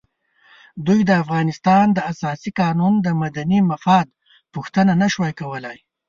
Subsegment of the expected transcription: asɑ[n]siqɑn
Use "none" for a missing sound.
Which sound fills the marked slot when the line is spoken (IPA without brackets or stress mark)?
none